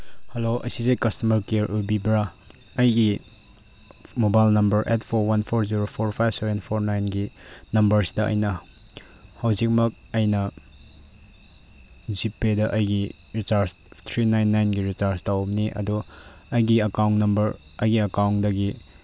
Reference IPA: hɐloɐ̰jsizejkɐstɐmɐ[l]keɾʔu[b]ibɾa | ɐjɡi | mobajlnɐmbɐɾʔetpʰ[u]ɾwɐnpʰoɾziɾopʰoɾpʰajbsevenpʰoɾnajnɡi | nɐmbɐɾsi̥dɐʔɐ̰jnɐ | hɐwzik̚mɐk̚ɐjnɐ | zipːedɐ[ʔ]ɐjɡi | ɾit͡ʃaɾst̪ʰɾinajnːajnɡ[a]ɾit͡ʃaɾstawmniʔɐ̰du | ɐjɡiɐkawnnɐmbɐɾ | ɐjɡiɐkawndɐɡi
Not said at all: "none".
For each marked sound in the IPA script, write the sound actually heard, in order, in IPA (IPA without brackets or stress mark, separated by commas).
ɾ, b, o, ʔ, i